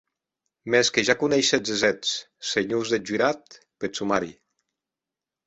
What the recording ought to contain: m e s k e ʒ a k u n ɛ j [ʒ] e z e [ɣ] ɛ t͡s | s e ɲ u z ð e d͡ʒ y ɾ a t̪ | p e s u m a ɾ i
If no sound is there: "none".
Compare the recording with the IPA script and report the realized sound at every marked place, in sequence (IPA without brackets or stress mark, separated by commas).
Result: ʃ, z